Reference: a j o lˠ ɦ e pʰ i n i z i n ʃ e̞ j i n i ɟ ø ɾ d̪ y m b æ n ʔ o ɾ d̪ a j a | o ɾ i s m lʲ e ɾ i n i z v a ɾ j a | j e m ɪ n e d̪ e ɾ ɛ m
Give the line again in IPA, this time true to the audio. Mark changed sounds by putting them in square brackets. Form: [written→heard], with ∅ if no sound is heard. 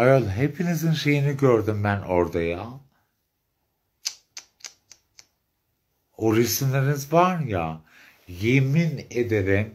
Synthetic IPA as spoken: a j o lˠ ɦ e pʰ i n i z i n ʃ e̞ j i n i ɟ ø ɾ d̪ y m b æ n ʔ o ɾ d̪ a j a | o ɾ i s m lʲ e ɾ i n i z v a ɾ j a | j e m [ɪ→i] n e d̪ e ɾ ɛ m